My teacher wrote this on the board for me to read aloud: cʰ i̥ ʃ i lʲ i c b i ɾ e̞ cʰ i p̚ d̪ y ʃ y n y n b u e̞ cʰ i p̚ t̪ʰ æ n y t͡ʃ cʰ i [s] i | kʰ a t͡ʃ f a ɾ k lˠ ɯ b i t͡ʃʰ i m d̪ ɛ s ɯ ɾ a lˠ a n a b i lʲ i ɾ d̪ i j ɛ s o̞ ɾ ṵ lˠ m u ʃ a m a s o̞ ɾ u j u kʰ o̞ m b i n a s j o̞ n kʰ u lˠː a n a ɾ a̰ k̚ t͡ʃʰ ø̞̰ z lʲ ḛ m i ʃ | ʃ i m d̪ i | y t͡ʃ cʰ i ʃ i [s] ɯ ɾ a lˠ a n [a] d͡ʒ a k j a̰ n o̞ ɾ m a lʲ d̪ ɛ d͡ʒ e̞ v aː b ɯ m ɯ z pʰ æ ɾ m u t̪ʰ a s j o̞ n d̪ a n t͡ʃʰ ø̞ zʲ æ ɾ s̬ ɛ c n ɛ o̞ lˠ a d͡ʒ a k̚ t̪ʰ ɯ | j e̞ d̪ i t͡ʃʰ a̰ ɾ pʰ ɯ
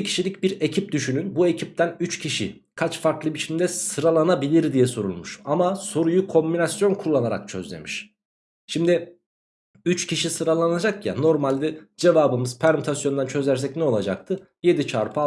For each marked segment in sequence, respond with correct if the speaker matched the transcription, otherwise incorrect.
incorrect: ʃ, correct, correct

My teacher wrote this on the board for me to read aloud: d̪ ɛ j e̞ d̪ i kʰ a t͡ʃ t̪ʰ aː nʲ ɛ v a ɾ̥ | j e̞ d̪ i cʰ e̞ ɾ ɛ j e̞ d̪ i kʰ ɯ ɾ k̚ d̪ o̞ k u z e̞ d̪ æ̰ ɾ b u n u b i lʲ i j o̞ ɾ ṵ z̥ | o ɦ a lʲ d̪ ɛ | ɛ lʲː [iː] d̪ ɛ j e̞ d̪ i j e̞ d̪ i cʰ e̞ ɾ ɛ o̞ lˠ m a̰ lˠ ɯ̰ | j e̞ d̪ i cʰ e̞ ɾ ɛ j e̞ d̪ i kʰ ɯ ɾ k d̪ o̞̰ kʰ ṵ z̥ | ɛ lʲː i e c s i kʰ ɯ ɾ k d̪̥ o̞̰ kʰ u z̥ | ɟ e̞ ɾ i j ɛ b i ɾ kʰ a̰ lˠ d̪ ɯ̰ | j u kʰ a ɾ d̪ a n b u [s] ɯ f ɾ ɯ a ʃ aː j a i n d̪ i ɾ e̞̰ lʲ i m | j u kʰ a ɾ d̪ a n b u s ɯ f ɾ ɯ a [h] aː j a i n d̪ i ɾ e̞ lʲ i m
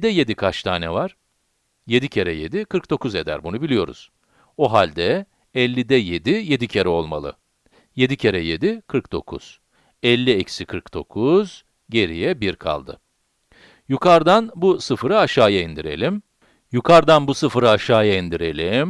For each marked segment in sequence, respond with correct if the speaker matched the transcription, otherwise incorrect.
incorrect: i, correct, incorrect: ʃ

